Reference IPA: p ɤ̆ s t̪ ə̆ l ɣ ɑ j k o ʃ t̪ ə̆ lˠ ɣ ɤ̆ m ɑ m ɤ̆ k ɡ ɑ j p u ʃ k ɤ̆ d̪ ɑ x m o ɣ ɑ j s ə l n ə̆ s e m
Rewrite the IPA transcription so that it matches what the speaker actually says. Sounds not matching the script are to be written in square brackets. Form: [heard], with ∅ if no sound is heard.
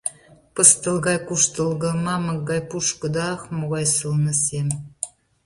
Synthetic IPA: p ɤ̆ s t̪ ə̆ l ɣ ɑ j k [u] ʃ t̪ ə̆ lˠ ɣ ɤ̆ m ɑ m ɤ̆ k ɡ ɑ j p u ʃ k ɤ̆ d̪ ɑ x m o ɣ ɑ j s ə l n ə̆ s e m